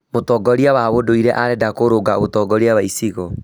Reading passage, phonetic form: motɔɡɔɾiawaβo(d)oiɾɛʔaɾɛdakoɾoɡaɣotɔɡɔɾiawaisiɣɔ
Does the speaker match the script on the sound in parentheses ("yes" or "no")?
yes